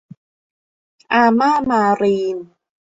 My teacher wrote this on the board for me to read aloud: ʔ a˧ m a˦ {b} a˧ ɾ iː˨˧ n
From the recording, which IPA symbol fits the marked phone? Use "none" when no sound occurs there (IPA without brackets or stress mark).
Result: m